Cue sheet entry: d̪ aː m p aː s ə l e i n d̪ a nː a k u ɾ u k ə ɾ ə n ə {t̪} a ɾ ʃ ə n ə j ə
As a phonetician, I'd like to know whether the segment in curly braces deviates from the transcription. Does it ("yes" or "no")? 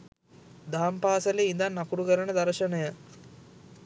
yes